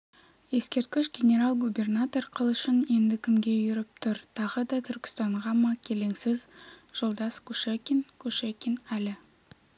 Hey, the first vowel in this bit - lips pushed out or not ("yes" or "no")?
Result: no